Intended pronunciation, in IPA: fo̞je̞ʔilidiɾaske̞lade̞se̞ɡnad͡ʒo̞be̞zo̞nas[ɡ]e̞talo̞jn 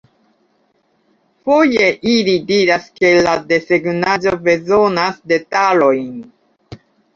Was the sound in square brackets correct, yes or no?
no